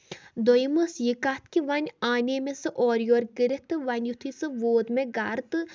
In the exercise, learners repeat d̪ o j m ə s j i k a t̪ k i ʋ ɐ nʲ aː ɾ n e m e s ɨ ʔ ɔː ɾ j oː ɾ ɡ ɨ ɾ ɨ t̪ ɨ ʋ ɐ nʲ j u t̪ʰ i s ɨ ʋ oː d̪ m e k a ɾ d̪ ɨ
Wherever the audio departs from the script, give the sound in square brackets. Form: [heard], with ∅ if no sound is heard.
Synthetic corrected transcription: d̪ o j m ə s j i k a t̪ k i ʋ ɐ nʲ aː [∅] n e m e s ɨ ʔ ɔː ɾ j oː ɾ ɡ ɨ ɾ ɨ t̪ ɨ ʋ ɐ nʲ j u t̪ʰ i s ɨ ʋ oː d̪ m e [ɡ] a ɾ [t̪] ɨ